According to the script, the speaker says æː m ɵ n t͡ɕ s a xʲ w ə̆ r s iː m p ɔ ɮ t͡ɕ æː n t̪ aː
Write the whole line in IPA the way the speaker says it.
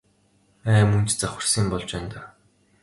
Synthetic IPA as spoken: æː m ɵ n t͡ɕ t͡s a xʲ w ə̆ r s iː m p ɔ ɮ t͡ɕ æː n t̪ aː